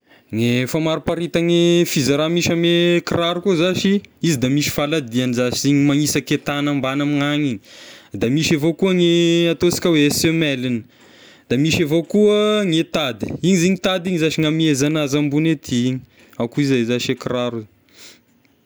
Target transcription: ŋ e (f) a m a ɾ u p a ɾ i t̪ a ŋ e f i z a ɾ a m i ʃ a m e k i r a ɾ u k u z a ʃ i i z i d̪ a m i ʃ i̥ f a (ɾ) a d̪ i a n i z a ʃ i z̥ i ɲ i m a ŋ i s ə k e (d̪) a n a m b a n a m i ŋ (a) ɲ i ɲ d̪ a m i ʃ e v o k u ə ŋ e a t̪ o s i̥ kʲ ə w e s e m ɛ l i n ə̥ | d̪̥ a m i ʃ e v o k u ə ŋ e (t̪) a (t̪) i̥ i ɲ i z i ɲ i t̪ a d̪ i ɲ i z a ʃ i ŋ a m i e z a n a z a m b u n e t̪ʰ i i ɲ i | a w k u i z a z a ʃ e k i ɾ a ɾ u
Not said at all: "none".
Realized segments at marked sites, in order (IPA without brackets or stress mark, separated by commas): f, l, t̪, a, t̪, d̪